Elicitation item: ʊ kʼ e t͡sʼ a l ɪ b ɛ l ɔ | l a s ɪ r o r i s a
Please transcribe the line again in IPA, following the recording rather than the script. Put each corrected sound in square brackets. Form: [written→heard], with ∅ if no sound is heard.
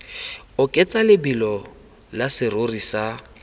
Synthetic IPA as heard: ʊ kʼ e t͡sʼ a l ɪ b [ɛ→i] l ɔ | l a s ɪ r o r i s a